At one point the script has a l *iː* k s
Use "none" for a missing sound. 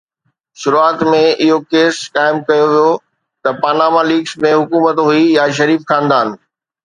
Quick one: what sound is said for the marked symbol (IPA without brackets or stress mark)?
iː